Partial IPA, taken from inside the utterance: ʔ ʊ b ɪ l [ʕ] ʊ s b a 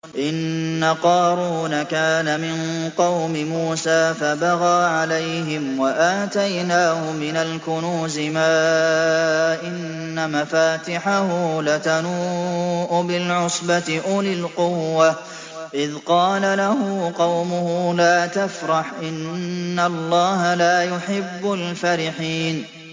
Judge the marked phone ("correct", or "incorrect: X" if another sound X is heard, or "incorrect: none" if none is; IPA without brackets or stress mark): correct